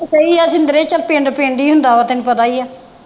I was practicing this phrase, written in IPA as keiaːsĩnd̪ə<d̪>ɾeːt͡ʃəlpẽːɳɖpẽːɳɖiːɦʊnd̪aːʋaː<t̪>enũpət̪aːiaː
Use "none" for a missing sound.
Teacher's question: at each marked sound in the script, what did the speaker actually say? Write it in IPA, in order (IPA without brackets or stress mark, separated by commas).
none, t̪